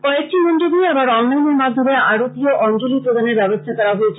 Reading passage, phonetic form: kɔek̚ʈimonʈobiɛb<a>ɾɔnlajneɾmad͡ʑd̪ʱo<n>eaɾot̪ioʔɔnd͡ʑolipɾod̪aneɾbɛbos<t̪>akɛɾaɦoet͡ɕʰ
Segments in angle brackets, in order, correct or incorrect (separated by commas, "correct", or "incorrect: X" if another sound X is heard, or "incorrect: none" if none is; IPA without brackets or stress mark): correct, incorrect: m, incorrect: t̪ʰ